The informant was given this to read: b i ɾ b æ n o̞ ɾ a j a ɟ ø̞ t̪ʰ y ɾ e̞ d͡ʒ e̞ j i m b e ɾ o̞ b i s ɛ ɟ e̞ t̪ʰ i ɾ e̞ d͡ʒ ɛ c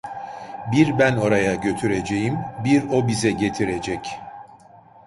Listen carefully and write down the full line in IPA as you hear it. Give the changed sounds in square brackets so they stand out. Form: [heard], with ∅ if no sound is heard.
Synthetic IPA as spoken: b i ɾ b æ n o̞ ɾ a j a ɟ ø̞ t̪ʰ y ɾ e̞ d͡ʒ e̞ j i m b [i] ɾ o̞ b i [z] ɛ ɟ e̞ t̪ʰ i ɾ e̞ d͡ʒ ɛ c